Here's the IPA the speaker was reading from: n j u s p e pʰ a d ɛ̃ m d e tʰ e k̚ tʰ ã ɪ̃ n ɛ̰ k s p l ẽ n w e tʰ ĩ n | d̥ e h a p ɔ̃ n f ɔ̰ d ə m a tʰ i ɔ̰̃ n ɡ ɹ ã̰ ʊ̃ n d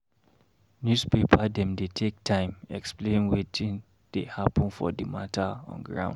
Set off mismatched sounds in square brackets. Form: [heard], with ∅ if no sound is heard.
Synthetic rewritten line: n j u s p e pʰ a d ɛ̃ m d e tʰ e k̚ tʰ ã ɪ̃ [m] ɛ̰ k s p l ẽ n w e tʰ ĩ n | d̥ e h a p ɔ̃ n f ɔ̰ d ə m a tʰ [a] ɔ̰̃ n ɡ ɹ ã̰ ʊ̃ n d